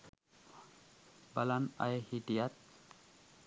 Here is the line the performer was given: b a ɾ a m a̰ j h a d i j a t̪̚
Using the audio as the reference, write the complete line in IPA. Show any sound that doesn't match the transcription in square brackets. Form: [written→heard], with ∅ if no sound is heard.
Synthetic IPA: b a [ɾ→l] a [m→n] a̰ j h [a→i] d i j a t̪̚